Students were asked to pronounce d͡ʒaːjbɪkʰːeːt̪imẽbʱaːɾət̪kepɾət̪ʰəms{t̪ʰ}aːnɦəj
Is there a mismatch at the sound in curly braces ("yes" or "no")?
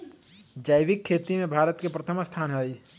no